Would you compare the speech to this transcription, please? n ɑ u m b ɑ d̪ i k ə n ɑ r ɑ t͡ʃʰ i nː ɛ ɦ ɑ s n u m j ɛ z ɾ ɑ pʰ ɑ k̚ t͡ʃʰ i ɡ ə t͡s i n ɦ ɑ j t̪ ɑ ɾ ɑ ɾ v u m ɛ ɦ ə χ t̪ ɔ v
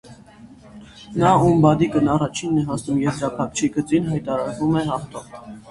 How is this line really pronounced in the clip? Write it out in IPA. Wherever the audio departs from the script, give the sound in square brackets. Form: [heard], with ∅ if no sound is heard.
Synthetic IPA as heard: n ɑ u m b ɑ d̪ i k ə n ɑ r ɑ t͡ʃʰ i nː ɛ ɦ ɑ s n u m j ɛ z ɾ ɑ pʰ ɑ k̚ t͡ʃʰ i ɡ ə t͡s i n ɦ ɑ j t̪ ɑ ɾ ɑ ɾ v u m ɛ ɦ [ɑ] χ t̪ ɔ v